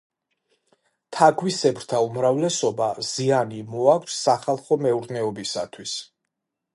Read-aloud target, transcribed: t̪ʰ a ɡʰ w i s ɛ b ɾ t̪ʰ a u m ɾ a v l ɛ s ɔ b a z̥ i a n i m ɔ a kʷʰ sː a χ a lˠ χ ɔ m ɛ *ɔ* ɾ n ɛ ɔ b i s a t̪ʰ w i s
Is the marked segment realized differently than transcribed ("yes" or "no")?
yes